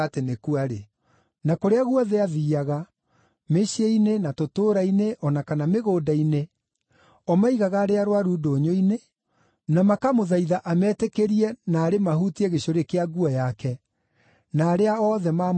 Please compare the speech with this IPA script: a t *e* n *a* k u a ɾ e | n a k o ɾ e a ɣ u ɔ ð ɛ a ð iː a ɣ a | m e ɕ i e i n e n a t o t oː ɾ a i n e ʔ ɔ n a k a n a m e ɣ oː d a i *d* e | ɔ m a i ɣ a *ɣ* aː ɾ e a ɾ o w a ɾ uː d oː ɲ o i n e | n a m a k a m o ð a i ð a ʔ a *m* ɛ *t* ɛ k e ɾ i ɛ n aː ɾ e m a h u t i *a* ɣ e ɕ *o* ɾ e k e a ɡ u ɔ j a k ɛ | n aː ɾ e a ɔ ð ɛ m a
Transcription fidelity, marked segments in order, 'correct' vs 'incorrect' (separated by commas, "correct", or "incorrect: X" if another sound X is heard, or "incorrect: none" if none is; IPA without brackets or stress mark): correct, incorrect: e, incorrect: n, correct, correct, correct, incorrect: ɛ, correct